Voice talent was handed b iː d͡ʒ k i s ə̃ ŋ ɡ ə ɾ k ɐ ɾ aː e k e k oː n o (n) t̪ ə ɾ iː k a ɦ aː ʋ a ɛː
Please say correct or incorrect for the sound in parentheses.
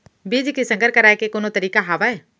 incorrect: none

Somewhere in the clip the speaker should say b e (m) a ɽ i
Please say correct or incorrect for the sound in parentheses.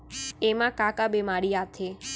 correct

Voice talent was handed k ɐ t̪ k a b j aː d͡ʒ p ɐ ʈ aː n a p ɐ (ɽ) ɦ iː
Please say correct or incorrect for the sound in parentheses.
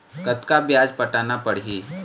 correct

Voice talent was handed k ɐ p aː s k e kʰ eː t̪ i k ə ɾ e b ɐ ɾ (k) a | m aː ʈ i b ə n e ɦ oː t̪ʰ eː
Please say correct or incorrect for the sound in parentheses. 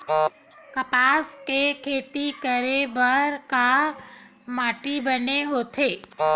correct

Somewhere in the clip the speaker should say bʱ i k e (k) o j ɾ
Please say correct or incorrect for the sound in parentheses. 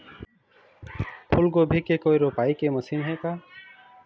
correct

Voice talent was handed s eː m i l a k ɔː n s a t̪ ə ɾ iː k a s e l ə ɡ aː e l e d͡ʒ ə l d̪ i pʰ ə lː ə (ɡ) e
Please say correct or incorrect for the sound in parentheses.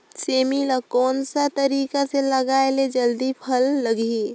correct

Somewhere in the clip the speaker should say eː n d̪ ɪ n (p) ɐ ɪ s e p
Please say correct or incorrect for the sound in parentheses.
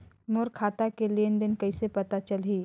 incorrect: k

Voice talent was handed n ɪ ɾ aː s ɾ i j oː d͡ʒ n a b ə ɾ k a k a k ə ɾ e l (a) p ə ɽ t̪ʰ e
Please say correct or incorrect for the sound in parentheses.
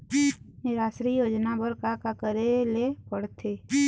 incorrect: e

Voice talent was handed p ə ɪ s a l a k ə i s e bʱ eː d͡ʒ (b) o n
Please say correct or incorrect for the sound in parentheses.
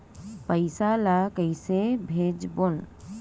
correct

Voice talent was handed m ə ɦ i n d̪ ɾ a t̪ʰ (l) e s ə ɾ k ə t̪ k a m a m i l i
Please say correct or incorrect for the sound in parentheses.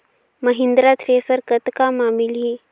incorrect: ɾ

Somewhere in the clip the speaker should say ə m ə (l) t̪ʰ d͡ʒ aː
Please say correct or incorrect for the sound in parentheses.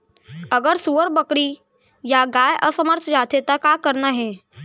incorrect: ɾ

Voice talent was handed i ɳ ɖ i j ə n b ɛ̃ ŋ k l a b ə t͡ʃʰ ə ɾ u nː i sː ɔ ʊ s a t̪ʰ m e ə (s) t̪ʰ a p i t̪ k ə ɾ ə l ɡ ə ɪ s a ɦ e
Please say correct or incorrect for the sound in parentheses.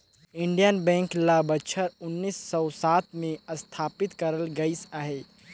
correct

